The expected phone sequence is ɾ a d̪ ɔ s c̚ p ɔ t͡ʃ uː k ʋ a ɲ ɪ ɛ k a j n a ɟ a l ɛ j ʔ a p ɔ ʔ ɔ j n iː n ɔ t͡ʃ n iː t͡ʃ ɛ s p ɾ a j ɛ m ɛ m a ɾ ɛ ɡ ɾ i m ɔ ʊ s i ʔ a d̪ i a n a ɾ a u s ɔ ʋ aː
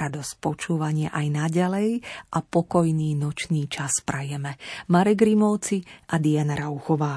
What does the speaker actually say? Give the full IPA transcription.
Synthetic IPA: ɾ a d̪ ɔ s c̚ p ɔ t͡ʃ uː ʋ a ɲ ɪ ɛ ʔ a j n a ɟ a l ɛ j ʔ a p ɔ k ɔ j n iː n ɔ t͡ʃ n iː t͡ʃ a s p ɾ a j ɛ m ɛ m a ɾ ɛ ɡ ɾ i m ɔ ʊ t͡s i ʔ a d̪ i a n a ɾ a u x ɔ ʋ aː